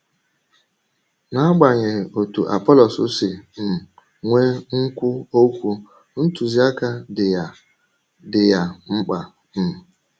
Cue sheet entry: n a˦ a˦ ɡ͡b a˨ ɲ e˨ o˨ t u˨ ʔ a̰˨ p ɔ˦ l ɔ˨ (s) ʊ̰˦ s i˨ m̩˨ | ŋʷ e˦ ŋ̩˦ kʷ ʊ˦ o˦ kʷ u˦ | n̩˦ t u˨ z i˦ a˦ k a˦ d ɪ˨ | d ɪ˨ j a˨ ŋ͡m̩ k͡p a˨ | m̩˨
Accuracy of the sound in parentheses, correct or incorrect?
correct